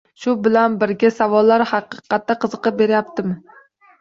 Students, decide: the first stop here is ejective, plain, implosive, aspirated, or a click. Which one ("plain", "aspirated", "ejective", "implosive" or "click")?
plain